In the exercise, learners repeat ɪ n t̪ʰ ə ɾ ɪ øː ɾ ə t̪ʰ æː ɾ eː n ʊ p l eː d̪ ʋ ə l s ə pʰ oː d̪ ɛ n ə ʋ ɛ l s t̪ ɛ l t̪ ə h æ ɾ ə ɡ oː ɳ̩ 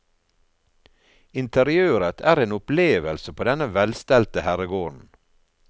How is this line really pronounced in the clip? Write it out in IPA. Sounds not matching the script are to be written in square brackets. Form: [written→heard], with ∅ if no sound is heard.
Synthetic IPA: ɪ n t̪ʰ ə ɾ ɪ øː ɾ ə t̪ʰ æː ɾ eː n ʊ p l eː [d̪→∅] ʋ ə l s ə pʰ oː d̪ ɛ n ə ʋ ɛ l s t̪ ɛ l t̪ ə h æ ɾ ə ɡ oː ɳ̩